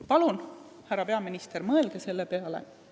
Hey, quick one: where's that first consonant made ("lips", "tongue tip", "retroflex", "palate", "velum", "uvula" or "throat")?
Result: lips